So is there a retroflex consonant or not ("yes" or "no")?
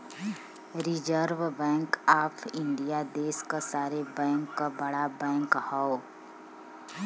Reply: yes